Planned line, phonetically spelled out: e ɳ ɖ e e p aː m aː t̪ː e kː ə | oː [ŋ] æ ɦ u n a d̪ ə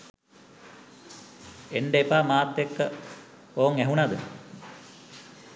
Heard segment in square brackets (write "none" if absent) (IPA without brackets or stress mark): ŋ